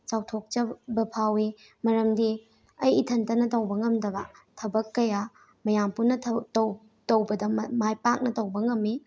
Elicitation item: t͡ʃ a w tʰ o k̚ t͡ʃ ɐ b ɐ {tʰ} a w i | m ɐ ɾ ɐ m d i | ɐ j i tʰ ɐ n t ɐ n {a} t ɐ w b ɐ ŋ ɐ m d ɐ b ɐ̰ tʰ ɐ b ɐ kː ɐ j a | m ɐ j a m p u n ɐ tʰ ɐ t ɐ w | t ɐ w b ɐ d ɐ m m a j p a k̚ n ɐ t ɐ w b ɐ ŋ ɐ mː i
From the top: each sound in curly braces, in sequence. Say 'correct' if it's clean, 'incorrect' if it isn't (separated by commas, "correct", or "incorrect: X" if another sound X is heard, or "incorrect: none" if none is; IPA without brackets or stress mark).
incorrect: pʰ, incorrect: ɐ